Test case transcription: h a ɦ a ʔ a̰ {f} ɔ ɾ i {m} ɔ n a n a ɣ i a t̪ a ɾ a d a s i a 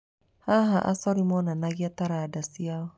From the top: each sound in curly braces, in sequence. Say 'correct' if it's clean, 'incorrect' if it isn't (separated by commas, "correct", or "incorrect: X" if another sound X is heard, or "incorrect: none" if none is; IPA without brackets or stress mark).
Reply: incorrect: s, correct